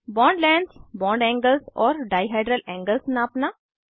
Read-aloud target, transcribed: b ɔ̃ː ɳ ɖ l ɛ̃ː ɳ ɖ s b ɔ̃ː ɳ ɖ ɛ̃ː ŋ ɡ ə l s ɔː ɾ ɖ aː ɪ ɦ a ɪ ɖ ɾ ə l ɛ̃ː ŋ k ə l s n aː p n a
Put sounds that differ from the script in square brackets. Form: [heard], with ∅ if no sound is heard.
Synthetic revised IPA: b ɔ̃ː ɳ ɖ l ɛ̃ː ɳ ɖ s b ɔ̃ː ɳ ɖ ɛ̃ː ŋ ɡ ə l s ɔː ɾ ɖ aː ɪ ɦ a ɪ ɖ ɾ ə l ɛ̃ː ŋ [ɡ] ə l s n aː p n a